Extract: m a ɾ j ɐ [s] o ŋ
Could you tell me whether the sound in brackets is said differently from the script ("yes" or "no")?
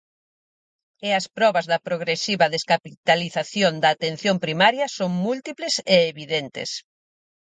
no